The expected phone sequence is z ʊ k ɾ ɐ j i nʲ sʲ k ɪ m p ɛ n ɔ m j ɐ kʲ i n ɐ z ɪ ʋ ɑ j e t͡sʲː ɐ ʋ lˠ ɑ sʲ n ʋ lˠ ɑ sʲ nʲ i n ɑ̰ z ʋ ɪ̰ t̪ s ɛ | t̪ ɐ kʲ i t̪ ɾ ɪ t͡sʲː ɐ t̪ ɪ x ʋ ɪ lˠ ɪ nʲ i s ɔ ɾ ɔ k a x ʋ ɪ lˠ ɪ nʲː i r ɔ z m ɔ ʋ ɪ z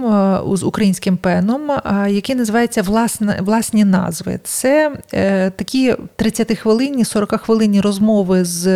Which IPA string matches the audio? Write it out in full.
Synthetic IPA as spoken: z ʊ k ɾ ɐ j i nʲ sʲ k ɪ m p ɛ n ɔ m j ɐ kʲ i n ɐ z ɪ ʋ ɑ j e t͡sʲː ɐ ʋ lˠ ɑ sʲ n ʋ lˠ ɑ sʲ nʲ i n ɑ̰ z ʋ ɪ̰ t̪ s ɛ | t̪ ɐ kʲ i t̪ ɾ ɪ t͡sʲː ɐ t̪ ɪ x ʋ ɪ lˠ ɪ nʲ i s ɔ ɾ ɔ k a x ʋ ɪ lˠ ɪ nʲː i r ɔ z m ɔ ʋ ɪ z